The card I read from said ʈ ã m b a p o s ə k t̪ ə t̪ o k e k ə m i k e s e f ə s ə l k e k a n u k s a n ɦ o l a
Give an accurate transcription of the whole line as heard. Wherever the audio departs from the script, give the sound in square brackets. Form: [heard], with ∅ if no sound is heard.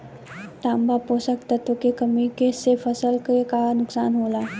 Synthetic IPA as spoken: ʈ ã m b a p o s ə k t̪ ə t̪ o k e k ə m i k e s e f ə s ə l k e k a n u k s a n ɦ o l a